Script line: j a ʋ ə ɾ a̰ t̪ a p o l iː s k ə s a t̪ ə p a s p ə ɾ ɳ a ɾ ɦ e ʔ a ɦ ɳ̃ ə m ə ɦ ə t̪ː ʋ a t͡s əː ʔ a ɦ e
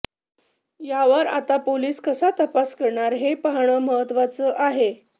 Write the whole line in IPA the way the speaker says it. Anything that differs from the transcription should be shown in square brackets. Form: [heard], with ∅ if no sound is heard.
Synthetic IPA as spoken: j a ʋ ə ɾ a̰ t̪ a p o l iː s k ə s a t̪ ə p a s [k] ə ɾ ɳ a ɾ ɦ e [p] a ɦ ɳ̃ ə m ə ɦ ə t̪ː ʋ a t͡s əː ʔ a ɦ e